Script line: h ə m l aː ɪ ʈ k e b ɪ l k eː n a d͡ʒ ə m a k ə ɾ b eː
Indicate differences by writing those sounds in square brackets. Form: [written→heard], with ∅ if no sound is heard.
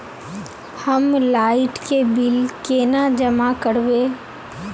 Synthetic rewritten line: h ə m l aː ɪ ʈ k e b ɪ l k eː n a d͡ʒ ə m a k ə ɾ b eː